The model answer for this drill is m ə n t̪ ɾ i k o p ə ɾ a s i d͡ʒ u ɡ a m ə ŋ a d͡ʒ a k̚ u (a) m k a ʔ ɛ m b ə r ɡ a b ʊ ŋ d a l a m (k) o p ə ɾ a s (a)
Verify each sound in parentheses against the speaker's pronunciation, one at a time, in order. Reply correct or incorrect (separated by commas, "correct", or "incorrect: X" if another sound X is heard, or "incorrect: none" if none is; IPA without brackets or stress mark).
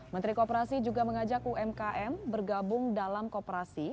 incorrect: ɛ, correct, incorrect: i